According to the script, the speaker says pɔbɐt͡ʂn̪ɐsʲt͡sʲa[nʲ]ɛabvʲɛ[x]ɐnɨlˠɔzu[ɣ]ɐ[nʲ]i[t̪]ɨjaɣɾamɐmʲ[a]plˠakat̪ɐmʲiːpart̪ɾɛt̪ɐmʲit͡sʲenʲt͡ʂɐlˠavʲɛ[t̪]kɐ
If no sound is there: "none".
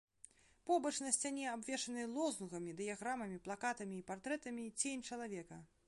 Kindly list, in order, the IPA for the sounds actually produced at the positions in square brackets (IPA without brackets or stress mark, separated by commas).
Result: nʲ, ʂ, ɣ, mʲ, d̪, i, none